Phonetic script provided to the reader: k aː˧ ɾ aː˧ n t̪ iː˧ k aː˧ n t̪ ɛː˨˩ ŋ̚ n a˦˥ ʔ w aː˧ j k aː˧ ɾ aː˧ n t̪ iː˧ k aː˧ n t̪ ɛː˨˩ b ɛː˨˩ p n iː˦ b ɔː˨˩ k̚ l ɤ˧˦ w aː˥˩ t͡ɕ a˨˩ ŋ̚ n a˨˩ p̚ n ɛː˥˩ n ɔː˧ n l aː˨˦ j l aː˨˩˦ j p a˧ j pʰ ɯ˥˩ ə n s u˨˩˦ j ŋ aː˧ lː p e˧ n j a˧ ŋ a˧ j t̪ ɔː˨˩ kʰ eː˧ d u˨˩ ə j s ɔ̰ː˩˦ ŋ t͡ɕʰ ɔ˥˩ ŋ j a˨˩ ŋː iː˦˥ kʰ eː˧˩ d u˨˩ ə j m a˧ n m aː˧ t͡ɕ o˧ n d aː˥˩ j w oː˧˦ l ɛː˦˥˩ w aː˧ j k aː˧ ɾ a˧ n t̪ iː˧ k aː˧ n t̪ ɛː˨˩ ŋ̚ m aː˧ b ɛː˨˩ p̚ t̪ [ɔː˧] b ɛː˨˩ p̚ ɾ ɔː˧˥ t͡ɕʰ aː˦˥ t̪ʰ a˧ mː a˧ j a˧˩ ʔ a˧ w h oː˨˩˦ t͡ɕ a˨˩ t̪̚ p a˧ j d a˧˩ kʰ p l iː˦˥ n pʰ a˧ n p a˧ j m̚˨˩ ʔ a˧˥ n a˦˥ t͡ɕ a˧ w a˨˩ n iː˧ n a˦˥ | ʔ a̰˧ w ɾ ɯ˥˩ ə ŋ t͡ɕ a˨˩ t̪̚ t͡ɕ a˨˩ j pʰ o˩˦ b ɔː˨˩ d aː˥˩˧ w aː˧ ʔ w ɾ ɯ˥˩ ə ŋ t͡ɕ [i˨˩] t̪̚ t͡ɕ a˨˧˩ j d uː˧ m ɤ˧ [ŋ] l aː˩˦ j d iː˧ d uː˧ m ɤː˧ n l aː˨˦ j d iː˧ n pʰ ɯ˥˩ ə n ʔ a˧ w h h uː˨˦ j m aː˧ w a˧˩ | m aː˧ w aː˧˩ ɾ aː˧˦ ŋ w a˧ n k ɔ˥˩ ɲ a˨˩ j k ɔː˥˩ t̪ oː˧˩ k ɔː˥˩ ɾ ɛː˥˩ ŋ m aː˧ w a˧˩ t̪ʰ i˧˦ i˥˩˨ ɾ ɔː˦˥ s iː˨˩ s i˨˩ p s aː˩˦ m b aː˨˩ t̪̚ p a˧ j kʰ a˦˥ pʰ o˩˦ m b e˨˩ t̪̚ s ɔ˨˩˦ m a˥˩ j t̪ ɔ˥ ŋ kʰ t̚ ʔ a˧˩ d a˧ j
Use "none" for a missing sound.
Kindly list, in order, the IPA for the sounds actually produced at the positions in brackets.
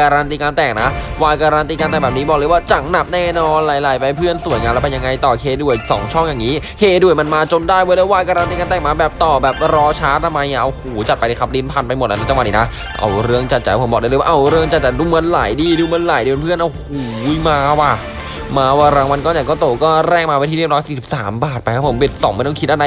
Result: ɔː˨˩, a˨˩, n

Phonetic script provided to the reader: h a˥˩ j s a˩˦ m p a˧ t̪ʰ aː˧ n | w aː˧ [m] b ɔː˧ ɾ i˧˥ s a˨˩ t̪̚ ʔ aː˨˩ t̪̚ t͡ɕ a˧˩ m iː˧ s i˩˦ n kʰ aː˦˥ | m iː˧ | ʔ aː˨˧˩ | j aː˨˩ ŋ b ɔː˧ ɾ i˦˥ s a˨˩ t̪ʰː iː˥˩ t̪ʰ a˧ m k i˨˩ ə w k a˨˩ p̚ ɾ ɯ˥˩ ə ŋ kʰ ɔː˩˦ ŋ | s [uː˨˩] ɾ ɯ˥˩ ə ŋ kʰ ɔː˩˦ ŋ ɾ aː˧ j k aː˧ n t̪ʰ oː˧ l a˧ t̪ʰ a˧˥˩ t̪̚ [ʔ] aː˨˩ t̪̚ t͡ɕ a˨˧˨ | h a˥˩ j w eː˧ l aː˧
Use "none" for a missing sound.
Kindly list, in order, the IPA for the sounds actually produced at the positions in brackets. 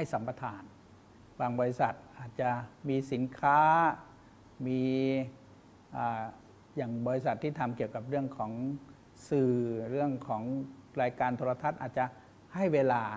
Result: ŋ, ɯː˨˩, ʔ

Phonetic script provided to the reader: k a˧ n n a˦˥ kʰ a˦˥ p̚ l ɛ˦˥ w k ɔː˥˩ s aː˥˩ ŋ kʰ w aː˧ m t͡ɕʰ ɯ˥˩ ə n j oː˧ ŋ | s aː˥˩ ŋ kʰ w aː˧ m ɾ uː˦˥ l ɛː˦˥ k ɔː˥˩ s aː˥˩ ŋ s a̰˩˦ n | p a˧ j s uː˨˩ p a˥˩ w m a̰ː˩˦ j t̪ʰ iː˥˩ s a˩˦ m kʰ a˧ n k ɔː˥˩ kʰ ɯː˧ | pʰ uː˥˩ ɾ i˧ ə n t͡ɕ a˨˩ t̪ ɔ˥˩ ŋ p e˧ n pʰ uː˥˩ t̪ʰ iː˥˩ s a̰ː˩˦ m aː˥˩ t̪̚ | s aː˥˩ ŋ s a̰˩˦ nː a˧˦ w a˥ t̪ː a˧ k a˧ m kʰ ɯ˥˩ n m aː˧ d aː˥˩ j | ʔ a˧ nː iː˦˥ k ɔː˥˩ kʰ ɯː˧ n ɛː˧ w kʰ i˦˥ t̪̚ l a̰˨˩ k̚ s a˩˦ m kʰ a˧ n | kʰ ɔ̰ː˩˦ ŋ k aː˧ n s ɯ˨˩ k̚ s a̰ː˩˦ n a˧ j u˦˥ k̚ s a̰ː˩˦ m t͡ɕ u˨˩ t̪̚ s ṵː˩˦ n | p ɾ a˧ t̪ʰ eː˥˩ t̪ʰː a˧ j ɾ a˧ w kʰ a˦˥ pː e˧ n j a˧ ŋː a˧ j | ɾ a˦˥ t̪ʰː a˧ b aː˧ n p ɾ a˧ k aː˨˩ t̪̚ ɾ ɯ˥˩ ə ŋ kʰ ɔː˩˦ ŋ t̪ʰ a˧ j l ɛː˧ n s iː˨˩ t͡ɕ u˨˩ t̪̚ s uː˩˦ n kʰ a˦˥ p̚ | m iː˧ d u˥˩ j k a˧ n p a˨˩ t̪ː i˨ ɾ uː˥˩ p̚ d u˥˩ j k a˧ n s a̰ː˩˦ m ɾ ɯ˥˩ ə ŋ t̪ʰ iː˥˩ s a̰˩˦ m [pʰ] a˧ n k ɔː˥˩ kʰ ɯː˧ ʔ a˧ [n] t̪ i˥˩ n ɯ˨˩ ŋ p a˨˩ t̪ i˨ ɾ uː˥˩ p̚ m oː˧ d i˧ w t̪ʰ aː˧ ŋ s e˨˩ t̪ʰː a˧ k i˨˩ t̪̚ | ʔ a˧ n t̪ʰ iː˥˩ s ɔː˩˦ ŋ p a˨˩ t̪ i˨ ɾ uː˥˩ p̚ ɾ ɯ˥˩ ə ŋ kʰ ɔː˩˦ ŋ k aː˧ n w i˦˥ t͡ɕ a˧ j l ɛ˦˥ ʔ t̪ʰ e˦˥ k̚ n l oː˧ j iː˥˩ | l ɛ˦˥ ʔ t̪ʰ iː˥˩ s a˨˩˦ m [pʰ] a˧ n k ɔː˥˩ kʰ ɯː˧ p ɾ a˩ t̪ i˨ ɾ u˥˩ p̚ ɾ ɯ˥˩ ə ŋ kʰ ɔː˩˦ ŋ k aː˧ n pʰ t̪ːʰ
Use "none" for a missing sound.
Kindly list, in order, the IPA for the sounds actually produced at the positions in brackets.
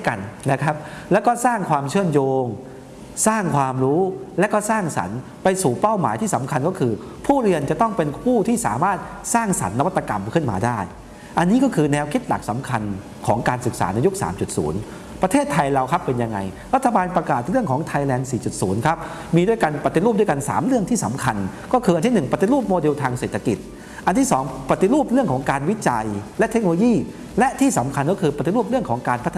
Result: kʰ, n, kʰ

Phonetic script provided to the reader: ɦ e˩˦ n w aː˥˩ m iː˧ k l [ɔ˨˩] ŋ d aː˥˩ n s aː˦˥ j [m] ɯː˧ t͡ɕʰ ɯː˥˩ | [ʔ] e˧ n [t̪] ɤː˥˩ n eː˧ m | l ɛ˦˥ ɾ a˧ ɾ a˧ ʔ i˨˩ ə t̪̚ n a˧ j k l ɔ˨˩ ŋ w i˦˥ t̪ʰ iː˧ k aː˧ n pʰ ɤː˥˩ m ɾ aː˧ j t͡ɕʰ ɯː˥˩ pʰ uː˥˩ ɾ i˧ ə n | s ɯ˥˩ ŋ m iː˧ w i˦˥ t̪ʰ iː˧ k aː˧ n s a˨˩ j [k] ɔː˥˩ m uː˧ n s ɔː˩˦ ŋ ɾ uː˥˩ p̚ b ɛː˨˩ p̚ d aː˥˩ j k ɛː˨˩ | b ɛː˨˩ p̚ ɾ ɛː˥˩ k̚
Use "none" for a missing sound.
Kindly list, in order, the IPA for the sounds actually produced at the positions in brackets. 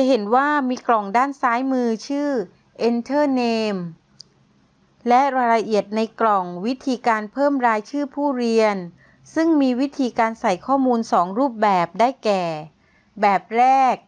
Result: ɔ˨˩, m, ʔ, t̪ʰ, kʰ

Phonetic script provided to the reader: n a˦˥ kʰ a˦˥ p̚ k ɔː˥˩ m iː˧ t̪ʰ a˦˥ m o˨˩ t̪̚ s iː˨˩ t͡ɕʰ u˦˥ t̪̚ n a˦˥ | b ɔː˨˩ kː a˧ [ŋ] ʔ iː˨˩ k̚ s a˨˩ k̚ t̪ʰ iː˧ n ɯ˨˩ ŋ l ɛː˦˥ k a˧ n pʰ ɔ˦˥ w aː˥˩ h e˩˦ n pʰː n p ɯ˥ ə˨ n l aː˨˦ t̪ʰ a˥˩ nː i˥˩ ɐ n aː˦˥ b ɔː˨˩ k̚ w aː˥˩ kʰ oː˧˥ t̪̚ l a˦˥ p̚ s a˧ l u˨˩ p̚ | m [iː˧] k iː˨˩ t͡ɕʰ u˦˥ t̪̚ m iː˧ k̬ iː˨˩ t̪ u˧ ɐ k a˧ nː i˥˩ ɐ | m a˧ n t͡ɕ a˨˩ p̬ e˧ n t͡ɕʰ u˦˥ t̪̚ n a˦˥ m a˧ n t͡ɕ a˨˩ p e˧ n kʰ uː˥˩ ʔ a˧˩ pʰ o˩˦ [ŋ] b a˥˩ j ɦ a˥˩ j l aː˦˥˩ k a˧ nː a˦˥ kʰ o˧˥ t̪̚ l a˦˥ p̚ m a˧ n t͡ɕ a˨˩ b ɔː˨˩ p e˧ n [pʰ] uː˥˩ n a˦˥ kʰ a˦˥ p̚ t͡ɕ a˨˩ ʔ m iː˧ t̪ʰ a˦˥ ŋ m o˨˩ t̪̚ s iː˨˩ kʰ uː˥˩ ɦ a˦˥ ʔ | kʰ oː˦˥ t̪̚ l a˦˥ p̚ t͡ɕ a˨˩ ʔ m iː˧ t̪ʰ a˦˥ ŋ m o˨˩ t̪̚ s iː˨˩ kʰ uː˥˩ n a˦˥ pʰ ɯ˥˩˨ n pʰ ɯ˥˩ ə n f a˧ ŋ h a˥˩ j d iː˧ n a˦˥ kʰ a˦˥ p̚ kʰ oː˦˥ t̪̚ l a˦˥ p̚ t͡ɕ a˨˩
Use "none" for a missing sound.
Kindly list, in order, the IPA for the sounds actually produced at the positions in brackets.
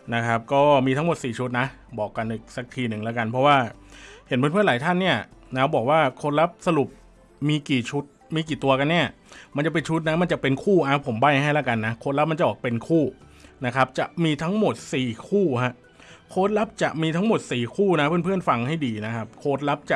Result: n, iː˧, m, kʰ

